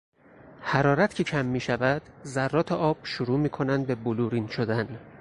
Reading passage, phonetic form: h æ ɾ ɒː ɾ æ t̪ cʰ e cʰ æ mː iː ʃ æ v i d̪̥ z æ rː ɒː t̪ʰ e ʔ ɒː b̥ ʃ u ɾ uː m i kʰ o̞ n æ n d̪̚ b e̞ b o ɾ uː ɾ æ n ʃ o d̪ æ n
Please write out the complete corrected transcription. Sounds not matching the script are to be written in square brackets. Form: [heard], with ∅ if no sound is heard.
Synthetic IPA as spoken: h æ ɾ ɒː ɾ æ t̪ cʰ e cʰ æ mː iː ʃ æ v [æ] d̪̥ z æ rː ɒː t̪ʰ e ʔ ɒː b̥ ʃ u ɾ uː m [iː] kʰ o̞ n æ n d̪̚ b e̞ b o [l] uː ɾ [i] n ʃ o d̪ æ n